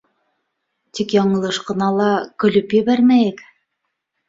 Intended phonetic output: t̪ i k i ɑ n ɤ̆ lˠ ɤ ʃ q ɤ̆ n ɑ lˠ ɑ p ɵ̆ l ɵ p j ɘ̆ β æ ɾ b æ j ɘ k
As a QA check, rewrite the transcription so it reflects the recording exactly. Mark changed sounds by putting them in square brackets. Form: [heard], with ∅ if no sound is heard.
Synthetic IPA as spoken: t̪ i k [j] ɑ [ɴ] ɤ̆ lˠ ɤ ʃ q ɤ̆ n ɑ lˠ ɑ [k] ɵ̆ l ɵ p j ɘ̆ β æ ɾ [m] æ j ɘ k